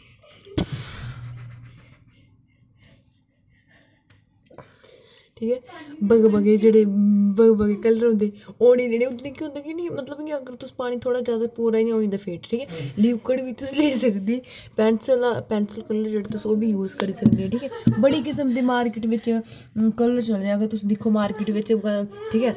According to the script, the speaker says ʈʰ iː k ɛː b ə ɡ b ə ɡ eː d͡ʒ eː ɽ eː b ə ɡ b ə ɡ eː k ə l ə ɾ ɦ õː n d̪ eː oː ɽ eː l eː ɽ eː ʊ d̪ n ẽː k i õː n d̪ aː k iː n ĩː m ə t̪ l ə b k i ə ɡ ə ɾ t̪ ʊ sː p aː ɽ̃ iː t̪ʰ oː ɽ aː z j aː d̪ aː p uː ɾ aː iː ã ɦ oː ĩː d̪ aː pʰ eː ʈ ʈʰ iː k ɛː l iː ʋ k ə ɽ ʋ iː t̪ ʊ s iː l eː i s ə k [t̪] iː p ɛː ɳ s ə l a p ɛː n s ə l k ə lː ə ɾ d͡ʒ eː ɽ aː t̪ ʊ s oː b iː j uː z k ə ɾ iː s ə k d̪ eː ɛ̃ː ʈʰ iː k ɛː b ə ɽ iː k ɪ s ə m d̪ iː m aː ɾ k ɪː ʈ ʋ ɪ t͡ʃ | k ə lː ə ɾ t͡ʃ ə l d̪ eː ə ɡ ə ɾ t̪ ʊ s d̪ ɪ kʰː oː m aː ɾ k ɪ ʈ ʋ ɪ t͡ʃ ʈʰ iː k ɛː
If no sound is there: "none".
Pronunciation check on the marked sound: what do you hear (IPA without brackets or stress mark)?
d̪